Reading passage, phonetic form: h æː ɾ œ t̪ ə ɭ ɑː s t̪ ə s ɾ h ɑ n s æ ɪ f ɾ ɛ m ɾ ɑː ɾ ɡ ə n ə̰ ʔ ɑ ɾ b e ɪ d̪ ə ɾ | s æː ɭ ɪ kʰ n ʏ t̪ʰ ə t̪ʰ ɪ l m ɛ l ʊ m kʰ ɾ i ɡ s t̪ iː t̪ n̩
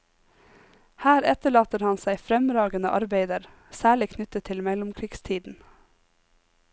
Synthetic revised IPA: h æː ɾ ɛ t̪ ə ɭ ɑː t̪ ə ɾ h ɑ n s æ ɪ f ɾ ɛ m ɾ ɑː ɡ ə n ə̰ ʔ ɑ ɾ b e ɪ d̪ ə ɾ | s æː ɭ ɪ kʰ n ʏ t̪ ə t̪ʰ ɪ l m ɛ l ʊ m kʰ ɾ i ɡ s t̪ʰ iː d̪ n̩